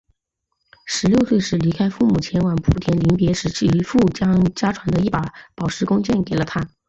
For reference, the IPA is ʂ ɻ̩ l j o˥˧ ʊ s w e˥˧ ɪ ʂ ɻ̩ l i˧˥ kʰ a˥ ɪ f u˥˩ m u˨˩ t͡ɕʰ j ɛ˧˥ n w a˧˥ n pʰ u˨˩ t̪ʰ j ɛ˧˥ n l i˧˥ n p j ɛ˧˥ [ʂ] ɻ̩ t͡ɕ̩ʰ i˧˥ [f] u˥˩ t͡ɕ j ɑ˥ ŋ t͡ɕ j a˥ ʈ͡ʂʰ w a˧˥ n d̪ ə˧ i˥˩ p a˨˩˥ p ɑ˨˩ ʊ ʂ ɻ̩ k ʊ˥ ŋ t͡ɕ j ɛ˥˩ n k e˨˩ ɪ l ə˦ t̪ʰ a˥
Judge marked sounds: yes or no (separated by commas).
yes, yes